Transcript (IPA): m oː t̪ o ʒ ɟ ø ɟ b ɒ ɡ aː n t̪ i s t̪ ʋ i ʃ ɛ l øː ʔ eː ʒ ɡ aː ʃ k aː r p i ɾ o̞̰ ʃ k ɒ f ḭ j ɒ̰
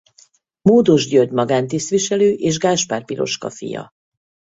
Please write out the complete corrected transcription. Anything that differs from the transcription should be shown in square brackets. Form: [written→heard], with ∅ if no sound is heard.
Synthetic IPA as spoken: m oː [t̪→d̪] o ʒ ɟ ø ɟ [b→m] ɒ ɡ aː n t̪ i s t̪ ʋ i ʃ ɛ l øː ʔ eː ʒ ɡ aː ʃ [k→p] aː r p i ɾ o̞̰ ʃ k ɒ f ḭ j ɒ̰